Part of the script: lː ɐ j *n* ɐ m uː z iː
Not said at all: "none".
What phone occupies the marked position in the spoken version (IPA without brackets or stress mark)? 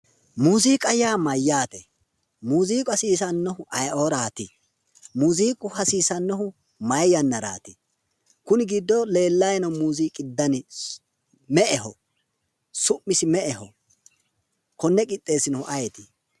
n